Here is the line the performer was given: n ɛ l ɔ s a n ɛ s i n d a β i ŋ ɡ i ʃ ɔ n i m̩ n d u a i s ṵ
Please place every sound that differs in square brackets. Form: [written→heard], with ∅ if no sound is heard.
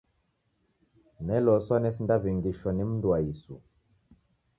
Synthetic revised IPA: n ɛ l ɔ s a n ɛ s i n d a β i ŋ ɡ i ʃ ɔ n i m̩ n d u a i s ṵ